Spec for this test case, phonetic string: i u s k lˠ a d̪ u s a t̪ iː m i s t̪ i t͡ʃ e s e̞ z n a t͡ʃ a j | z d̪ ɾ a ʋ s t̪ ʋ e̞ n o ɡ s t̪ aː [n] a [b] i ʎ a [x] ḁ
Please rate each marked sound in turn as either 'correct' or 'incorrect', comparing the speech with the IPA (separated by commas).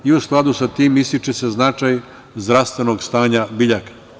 incorrect, correct, incorrect